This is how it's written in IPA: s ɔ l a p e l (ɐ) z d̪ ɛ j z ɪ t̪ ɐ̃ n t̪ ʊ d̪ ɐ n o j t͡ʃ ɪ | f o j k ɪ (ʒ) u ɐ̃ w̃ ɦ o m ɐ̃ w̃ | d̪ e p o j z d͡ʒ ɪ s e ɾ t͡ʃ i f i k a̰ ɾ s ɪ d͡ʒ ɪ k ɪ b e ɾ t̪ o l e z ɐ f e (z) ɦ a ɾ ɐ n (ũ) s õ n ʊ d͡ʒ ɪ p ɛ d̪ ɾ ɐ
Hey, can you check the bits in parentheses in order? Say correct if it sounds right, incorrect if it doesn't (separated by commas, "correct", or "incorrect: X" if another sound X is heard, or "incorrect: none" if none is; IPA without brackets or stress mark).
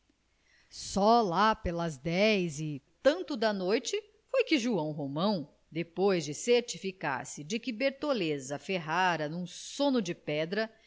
correct, correct, incorrect: none, correct